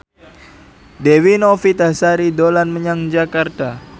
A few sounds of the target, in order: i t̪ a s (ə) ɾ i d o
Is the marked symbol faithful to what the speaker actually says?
no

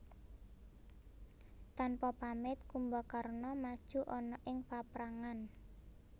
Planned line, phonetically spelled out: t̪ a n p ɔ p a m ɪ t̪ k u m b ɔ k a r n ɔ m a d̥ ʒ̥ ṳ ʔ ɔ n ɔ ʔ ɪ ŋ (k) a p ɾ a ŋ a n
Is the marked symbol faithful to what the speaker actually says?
no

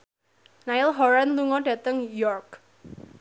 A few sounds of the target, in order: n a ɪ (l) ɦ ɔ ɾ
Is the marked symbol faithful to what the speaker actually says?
yes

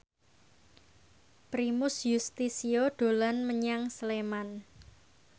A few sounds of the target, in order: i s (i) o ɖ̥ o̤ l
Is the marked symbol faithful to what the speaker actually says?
yes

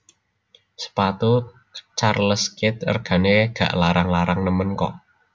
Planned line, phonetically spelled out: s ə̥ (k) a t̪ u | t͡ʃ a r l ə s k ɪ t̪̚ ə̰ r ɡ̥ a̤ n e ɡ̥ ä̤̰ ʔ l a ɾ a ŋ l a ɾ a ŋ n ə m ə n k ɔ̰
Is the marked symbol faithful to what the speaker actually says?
no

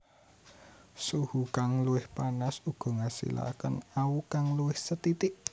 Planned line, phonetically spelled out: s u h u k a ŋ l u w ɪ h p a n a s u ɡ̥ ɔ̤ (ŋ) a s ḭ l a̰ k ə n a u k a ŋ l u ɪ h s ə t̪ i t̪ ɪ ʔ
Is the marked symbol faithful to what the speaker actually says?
yes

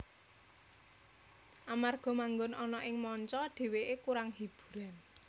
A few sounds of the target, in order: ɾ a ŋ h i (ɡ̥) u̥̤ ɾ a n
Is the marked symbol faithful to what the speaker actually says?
no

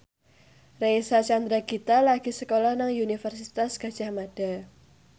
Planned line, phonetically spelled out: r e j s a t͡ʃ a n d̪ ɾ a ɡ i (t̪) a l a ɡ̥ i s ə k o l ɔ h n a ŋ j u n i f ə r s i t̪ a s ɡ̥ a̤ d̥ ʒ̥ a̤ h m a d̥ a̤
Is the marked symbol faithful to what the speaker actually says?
yes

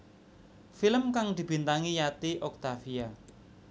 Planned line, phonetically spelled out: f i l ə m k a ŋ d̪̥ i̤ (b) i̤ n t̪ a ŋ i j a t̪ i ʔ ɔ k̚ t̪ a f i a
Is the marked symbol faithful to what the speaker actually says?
yes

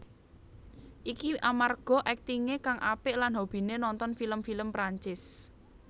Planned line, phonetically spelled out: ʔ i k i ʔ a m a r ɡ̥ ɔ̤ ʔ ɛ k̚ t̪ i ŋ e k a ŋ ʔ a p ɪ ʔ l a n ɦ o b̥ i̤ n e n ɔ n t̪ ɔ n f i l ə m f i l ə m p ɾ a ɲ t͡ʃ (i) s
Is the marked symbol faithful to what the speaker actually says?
no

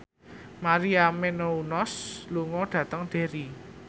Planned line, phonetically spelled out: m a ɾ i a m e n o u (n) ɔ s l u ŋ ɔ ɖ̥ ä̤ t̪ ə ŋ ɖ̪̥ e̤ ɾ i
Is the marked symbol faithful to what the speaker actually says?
yes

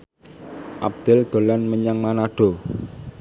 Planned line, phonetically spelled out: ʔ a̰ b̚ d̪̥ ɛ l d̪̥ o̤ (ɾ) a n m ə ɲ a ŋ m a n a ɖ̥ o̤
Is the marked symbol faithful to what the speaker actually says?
no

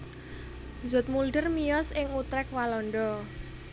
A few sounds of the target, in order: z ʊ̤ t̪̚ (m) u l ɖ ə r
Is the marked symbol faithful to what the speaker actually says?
yes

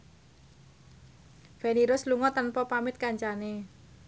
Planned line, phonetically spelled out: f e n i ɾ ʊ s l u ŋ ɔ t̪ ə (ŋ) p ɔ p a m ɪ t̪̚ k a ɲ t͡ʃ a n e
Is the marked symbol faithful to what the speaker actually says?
no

